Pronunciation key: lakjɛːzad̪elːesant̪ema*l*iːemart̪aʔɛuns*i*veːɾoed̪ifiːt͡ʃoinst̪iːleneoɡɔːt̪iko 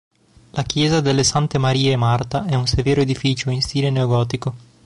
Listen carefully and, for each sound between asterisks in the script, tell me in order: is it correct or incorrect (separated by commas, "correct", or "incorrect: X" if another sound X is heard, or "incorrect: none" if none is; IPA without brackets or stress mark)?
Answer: incorrect: ɾ, incorrect: e